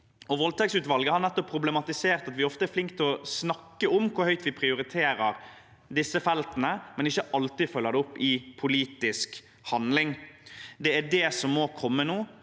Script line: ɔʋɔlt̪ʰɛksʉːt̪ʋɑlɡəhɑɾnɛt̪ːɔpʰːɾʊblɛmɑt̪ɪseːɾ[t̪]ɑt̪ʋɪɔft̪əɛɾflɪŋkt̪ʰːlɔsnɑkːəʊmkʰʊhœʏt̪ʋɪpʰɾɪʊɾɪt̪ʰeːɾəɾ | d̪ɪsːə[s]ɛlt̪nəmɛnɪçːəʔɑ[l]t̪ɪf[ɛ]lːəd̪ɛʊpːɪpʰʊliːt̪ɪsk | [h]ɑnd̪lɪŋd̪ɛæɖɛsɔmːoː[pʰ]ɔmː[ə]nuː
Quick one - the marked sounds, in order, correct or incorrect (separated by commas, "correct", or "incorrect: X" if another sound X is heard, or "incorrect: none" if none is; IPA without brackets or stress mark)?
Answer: correct, incorrect: f, correct, incorrect: œ, correct, incorrect: kʰ, correct